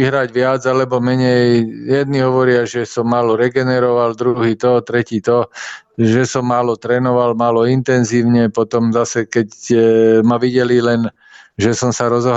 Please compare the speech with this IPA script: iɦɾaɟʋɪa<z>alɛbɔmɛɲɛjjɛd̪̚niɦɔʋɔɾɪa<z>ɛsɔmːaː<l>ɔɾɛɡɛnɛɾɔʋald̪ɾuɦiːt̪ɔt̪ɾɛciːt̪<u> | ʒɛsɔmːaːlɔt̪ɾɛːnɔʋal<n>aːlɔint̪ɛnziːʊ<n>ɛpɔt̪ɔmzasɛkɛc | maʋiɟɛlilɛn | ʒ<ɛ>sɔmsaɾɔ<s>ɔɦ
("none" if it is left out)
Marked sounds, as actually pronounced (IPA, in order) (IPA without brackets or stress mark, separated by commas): d͡z, ʒ, l, ɔ, m, ɲ, ɛ, z